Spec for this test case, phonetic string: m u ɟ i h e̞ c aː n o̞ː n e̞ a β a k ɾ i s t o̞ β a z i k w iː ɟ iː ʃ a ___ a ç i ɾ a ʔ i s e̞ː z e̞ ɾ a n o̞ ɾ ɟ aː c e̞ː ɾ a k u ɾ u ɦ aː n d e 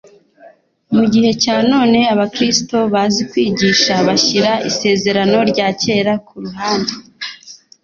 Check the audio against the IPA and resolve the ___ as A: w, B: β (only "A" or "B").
B